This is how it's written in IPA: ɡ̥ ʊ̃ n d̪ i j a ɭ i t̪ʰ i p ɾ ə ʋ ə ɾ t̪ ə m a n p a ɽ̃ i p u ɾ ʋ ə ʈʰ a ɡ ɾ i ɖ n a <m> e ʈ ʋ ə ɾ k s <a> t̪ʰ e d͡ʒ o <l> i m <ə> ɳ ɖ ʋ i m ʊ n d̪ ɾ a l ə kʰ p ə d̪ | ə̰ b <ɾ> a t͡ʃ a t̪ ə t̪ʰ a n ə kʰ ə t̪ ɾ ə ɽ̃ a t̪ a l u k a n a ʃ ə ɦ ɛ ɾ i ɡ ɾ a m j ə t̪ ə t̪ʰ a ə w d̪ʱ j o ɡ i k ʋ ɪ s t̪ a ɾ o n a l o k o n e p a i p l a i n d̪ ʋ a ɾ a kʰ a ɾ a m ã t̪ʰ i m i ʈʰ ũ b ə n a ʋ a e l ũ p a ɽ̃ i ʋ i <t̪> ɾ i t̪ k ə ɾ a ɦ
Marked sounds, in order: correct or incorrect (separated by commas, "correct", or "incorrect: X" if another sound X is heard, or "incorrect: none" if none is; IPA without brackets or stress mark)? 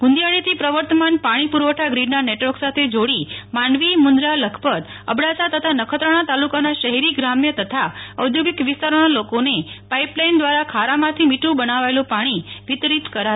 incorrect: n, correct, incorrect: ɽ, incorrect: a, incorrect: ɽ, correct